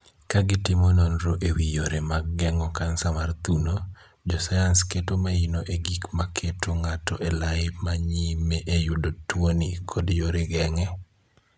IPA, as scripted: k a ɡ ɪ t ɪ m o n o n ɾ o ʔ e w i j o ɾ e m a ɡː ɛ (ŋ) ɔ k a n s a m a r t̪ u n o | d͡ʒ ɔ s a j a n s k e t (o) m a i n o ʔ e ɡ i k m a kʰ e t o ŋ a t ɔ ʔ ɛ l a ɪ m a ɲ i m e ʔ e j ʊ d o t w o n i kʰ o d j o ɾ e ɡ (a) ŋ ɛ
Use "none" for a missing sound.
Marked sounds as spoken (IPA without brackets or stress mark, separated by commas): ŋ, o, ɛ